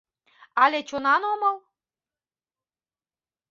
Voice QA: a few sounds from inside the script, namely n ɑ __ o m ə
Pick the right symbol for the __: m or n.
n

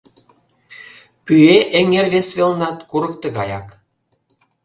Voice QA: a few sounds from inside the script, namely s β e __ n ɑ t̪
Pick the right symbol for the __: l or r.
l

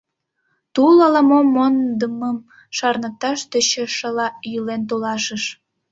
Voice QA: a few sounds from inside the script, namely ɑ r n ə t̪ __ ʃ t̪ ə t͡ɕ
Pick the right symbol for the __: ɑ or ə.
ɑ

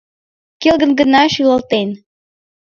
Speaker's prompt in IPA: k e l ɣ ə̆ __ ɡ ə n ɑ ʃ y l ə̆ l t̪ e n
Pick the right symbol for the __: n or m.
n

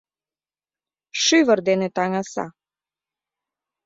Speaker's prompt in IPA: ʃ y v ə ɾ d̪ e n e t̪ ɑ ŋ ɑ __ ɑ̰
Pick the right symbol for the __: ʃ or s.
s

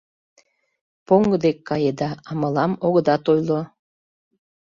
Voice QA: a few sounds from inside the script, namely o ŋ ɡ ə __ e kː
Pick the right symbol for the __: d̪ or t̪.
d̪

